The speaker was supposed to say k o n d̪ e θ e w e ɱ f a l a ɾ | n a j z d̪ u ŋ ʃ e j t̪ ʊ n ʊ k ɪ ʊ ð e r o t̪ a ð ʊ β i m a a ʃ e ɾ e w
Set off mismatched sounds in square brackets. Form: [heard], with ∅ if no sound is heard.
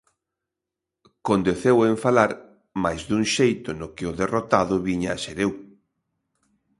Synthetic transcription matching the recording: k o n d̪ e θ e w e ɱ f a l a ɾ | [m] a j z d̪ u ŋ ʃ e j t̪ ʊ n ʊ k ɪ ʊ ð e r o t̪ a ð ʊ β i [ɲ] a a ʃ e ɾ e w